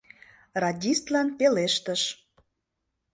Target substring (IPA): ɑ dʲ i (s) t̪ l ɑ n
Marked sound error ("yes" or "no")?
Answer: no